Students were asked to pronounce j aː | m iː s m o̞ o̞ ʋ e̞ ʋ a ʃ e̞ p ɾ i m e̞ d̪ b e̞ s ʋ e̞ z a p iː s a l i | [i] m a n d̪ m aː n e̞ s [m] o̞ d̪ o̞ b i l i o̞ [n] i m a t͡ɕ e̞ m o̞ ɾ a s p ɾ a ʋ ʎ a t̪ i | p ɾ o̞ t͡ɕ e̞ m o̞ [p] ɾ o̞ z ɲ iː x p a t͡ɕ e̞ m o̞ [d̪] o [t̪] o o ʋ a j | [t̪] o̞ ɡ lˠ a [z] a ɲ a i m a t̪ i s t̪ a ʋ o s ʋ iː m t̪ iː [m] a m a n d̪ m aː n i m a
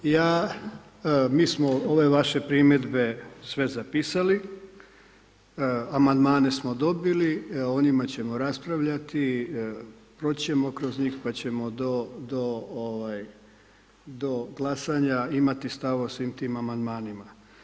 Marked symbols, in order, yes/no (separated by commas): no, yes, yes, no, yes, no, no, no, yes